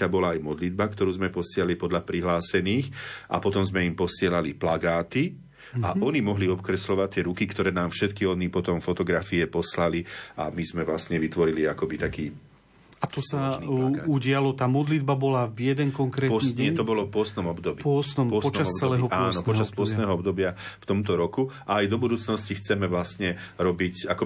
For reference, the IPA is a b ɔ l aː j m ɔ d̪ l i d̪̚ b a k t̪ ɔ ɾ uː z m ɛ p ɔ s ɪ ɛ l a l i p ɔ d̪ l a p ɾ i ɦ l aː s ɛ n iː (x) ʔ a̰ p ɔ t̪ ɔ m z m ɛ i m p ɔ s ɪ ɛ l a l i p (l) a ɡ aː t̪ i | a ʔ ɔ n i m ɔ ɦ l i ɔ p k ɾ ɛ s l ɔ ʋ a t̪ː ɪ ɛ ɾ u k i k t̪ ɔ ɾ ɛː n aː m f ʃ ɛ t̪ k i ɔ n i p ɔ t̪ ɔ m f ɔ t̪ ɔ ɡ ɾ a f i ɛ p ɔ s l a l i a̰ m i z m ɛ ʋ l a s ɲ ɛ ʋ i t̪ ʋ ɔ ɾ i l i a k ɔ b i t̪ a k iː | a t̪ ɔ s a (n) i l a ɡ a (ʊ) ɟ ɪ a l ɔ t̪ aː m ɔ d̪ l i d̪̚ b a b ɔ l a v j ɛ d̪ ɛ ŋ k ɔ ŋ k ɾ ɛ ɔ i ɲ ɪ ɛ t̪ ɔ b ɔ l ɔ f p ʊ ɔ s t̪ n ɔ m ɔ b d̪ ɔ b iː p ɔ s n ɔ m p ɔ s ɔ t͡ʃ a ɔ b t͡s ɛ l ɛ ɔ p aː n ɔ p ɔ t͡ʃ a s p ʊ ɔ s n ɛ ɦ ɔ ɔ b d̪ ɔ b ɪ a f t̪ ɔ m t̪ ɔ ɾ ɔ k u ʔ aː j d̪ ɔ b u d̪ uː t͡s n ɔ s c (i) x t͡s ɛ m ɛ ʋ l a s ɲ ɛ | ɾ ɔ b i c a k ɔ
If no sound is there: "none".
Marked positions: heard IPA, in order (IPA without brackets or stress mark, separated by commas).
x, l, n, u, i